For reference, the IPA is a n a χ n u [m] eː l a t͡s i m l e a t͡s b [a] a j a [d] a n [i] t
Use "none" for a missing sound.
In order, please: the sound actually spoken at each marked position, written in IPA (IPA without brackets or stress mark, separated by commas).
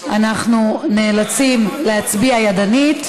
n, i, d, i